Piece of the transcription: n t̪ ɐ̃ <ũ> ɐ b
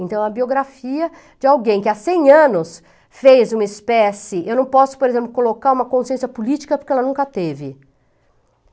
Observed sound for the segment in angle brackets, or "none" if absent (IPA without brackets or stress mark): w̃